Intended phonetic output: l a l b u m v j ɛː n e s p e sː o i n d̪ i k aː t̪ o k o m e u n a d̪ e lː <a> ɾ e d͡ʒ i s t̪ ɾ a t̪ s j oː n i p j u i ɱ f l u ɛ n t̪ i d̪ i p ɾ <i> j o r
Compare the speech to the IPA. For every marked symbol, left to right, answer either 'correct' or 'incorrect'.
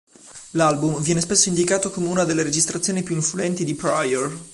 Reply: incorrect: e, incorrect: a

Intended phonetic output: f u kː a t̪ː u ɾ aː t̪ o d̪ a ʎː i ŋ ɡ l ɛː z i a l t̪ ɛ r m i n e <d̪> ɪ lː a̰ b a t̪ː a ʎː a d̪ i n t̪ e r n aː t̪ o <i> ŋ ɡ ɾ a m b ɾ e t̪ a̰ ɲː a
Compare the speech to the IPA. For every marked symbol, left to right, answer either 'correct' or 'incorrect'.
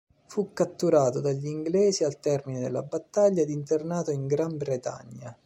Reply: correct, correct

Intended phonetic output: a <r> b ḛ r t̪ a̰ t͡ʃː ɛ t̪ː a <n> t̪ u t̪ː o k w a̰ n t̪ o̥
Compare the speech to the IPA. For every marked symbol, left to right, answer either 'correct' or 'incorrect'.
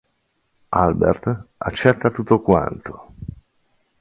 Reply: incorrect: l, incorrect: none

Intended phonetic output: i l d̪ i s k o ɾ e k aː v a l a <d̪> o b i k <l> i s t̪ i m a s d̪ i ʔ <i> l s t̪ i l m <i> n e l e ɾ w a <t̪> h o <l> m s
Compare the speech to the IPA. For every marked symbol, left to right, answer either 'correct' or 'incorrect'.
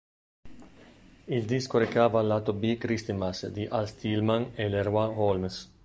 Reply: incorrect: t̪, incorrect: ɾ, incorrect: a, incorrect: a, incorrect: none, correct

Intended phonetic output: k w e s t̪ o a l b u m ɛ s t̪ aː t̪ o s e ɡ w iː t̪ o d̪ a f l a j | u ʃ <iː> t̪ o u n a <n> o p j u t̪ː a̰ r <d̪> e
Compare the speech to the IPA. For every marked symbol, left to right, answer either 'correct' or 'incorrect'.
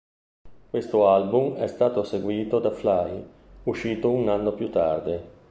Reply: correct, incorrect: nː, correct

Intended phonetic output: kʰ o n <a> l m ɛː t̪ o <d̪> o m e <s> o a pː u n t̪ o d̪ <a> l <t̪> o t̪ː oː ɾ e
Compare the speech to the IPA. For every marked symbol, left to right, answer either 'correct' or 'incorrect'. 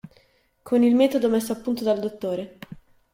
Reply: incorrect: i, correct, incorrect: sː, correct, incorrect: d̪

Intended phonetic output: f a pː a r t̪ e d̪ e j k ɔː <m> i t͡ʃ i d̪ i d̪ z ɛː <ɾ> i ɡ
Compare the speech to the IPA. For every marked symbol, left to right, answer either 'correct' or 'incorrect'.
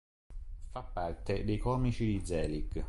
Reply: correct, incorrect: l

